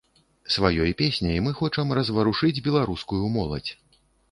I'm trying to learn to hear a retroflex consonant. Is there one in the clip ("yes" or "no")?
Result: yes